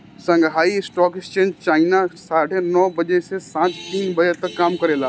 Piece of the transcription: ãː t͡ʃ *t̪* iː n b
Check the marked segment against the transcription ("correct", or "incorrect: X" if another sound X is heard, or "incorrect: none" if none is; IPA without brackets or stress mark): correct